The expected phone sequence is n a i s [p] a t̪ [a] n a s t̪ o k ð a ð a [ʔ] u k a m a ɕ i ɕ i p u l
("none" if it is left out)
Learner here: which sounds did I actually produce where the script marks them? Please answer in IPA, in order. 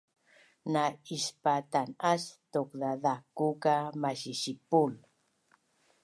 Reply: p, a, k

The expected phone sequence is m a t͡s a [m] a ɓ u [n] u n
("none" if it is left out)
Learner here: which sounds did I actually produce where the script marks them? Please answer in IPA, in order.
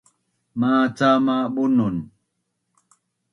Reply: m, n

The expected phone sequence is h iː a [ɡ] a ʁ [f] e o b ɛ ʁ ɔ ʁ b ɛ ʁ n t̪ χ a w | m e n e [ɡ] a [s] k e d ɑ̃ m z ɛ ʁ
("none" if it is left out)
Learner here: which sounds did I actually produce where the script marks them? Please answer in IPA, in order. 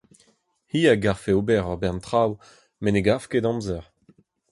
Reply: ɡ, f, ɡ, f

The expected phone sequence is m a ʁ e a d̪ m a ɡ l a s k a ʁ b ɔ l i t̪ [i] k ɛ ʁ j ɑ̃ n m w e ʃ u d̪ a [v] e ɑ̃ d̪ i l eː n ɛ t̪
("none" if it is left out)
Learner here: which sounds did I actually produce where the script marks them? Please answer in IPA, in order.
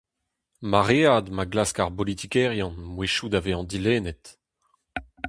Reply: i, v

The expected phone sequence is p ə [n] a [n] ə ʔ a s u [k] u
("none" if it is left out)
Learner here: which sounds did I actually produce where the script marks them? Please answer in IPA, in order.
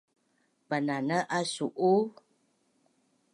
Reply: n, n, ʔ

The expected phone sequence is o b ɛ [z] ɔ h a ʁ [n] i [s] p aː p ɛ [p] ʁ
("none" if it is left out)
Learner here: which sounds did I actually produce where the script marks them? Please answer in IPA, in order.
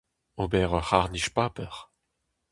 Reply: ʁ, n, ʃ, none

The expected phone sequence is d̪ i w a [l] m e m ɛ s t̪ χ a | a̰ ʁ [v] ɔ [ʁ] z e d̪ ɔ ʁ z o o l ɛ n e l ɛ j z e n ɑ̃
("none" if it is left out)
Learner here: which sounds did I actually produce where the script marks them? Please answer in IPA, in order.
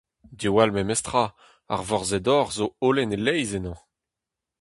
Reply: l, v, ʁ

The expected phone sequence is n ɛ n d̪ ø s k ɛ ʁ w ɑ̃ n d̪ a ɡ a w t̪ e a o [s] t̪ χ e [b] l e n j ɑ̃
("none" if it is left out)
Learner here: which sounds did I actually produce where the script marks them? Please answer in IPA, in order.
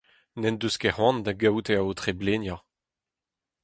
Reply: none, b

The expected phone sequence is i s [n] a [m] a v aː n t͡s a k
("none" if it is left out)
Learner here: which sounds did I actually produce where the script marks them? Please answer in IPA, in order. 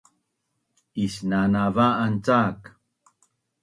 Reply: n, n

